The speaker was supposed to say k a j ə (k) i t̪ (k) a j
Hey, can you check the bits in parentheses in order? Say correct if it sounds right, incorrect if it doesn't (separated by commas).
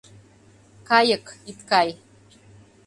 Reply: correct, correct